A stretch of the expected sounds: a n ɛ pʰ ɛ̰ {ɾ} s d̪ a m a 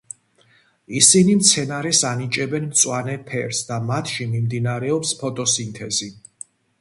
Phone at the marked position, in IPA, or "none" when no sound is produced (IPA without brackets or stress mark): ɾ